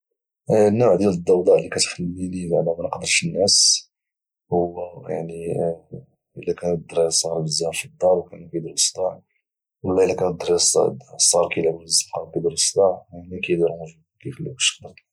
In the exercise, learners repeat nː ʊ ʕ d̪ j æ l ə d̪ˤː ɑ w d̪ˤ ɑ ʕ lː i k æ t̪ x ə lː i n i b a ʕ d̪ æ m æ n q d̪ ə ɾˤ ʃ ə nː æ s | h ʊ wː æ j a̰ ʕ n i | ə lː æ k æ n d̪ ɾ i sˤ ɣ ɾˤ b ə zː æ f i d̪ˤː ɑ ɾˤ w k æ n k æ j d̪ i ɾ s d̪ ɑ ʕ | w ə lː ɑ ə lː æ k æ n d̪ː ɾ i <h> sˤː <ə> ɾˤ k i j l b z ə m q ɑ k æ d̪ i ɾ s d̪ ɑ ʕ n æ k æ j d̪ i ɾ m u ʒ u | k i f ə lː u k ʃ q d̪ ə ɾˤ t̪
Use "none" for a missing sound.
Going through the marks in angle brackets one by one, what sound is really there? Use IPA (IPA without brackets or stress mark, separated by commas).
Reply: s, ɑ